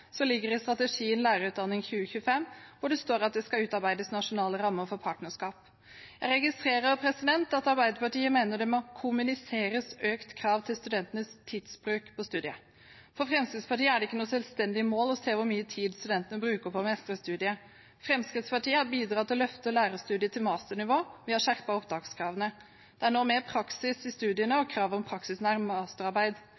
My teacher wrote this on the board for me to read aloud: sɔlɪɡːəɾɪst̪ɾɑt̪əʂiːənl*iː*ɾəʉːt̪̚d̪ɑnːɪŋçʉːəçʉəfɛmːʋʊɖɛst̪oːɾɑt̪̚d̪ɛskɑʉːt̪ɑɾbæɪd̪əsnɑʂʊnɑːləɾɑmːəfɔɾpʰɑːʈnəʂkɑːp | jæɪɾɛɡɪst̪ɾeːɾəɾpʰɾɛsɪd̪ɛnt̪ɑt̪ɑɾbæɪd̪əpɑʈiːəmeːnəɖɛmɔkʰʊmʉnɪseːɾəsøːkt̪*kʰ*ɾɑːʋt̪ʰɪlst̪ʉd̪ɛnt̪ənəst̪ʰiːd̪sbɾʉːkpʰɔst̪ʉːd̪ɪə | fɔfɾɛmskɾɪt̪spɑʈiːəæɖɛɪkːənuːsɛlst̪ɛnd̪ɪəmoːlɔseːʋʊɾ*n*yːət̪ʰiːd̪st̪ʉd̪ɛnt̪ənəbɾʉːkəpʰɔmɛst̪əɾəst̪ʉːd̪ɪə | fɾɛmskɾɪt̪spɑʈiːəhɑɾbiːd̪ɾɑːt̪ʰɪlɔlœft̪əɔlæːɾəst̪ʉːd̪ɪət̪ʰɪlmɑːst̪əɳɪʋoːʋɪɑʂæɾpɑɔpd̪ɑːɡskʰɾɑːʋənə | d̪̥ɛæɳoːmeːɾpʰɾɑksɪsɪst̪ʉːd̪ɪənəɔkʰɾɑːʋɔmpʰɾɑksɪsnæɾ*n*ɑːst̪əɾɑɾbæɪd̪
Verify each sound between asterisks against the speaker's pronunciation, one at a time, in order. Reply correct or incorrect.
incorrect: æː, correct, incorrect: m, incorrect: m

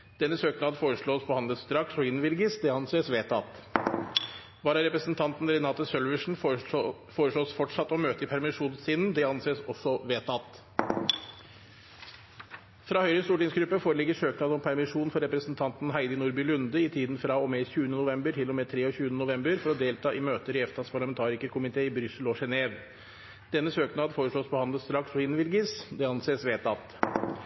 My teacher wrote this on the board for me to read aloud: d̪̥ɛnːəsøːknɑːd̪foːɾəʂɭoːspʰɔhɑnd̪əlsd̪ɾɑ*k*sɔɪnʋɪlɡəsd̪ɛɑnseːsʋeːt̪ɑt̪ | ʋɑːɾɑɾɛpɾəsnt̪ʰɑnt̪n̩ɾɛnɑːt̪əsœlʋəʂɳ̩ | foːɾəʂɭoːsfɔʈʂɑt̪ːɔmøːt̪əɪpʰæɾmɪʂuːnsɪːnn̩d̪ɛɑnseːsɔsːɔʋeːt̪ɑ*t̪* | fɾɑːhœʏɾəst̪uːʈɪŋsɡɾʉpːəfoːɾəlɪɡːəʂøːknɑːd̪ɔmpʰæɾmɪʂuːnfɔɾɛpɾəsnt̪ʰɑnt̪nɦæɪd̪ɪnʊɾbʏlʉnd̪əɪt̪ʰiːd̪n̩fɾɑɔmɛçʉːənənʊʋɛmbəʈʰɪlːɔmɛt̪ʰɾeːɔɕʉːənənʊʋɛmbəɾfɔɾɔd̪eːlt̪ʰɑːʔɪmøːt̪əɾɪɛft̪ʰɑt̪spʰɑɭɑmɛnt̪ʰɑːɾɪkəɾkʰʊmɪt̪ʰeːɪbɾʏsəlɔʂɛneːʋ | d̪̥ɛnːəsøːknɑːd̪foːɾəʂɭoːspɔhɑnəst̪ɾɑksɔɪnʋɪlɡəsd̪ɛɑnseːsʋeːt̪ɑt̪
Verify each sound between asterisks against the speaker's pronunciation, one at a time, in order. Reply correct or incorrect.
correct, correct

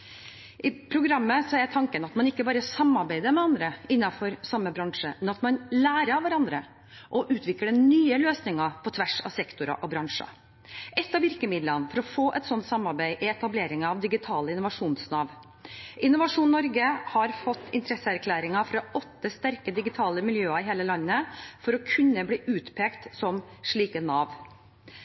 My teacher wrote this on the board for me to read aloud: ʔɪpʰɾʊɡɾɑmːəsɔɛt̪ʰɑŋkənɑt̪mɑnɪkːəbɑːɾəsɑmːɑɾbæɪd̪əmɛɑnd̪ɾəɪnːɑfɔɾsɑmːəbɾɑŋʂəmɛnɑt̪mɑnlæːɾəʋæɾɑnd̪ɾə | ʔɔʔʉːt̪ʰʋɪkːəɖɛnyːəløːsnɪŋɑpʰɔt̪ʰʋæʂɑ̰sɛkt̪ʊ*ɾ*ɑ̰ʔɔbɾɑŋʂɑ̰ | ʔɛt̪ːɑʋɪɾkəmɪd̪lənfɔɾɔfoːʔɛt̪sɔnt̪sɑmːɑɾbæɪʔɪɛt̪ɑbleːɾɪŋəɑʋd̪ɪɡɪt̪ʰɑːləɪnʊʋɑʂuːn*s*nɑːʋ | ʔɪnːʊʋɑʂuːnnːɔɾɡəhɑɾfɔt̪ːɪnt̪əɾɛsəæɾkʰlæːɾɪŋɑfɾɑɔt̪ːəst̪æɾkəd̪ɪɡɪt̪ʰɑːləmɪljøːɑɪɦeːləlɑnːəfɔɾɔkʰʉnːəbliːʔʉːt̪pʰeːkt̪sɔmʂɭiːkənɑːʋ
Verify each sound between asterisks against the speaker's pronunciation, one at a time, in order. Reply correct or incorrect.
correct, correct

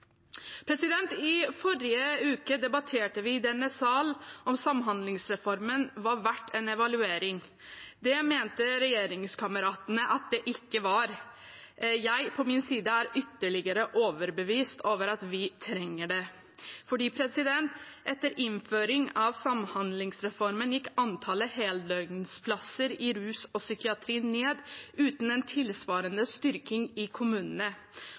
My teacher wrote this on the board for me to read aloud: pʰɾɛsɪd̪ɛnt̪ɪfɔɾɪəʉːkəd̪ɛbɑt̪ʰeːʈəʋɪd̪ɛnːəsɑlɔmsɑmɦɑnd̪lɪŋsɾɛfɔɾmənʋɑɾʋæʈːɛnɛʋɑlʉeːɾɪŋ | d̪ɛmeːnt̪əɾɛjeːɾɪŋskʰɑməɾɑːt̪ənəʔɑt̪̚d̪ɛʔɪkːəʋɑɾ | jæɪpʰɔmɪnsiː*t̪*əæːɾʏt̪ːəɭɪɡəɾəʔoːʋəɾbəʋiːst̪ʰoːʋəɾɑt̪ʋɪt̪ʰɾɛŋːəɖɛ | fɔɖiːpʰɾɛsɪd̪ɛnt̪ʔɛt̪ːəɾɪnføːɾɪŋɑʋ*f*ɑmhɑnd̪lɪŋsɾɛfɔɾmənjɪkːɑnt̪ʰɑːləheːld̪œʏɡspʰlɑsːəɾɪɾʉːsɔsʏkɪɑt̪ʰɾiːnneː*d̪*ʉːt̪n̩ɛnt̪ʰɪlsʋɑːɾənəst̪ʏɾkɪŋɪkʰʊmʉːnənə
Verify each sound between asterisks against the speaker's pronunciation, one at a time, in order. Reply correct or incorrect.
incorrect: d̪, incorrect: s, correct

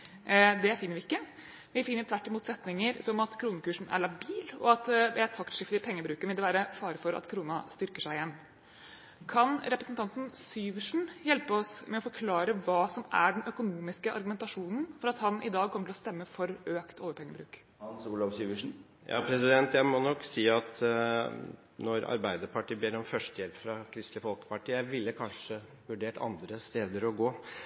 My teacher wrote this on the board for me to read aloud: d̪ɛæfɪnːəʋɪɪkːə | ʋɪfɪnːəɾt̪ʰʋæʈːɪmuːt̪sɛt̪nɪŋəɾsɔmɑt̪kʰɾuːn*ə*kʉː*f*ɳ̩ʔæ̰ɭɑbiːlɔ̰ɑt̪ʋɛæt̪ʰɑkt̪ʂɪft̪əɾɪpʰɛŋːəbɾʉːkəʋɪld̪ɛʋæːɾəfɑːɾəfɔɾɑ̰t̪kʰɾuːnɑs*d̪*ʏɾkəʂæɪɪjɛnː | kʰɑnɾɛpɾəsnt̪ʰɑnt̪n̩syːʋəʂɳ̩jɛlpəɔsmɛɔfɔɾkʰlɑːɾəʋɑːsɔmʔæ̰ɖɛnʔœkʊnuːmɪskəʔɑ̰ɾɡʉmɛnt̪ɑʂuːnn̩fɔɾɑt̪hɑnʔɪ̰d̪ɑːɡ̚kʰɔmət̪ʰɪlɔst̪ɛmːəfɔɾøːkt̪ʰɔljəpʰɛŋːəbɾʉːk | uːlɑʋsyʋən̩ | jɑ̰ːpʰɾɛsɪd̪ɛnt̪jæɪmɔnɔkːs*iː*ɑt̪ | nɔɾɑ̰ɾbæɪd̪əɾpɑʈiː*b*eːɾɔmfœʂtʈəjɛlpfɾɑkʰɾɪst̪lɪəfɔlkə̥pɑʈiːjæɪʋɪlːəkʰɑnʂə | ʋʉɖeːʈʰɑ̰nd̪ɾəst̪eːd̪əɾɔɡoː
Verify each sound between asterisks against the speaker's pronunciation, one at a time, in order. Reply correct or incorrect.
correct, incorrect: ʂ, incorrect: t̪, correct, correct

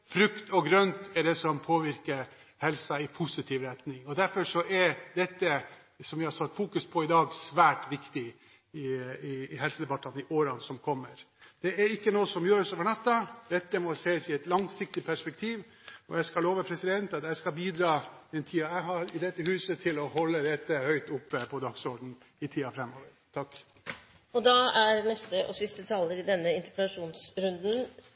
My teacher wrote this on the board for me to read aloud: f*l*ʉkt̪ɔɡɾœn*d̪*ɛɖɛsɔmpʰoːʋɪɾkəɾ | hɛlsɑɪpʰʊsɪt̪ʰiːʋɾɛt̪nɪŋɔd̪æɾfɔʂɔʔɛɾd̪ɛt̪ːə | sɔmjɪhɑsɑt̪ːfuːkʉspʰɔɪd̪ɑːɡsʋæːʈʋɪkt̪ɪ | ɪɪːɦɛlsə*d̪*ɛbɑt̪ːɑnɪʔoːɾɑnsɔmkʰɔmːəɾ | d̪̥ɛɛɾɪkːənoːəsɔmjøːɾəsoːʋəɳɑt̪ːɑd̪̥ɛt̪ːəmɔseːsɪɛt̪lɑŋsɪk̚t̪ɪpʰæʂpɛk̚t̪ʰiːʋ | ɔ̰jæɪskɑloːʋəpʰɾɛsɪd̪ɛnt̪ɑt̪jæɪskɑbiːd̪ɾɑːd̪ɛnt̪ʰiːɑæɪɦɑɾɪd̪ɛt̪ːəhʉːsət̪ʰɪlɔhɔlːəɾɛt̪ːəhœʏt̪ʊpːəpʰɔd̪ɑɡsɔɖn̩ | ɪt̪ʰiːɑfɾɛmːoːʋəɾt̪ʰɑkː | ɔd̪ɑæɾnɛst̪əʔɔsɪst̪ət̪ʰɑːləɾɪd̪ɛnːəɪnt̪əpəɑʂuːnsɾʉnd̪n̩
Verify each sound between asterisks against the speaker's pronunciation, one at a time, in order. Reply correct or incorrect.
incorrect: ɾ, incorrect: t̪, correct

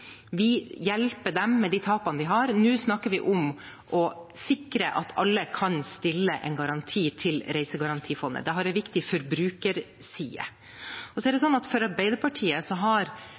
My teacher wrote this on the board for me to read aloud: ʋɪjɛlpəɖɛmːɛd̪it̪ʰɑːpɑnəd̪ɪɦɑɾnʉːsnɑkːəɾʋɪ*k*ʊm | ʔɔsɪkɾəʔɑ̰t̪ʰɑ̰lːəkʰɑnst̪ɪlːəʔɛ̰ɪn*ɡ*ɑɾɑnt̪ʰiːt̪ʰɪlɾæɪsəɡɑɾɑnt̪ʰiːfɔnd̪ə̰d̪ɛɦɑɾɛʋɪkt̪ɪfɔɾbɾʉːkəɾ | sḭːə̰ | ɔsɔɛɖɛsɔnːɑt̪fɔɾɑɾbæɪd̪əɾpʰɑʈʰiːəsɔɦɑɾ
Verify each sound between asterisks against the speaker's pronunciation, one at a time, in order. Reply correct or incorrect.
incorrect: ʔ, correct

